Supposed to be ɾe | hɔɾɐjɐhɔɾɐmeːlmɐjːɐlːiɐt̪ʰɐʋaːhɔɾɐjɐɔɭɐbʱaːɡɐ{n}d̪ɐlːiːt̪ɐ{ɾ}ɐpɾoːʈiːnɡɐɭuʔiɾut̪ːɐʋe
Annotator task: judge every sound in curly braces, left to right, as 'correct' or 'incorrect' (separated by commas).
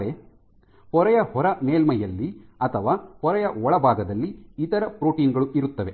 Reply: incorrect, correct